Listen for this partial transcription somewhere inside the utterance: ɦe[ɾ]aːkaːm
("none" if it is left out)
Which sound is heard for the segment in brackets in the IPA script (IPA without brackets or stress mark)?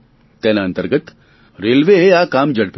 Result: none